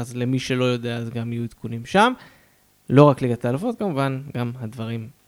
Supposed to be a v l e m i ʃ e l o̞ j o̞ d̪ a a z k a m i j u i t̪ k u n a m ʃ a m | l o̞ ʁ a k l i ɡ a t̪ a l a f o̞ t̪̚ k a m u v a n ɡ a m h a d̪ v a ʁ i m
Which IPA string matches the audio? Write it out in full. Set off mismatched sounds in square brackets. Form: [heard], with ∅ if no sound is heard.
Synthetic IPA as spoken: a [z] l e m i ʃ e l o̞ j o̞ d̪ [e] a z [ɡ] a m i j u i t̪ k u n [i] m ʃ a m | l o̞ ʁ a k l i ɡ a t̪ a l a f o̞ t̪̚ k a m u v a n ɡ a m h a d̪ v a ʁ i m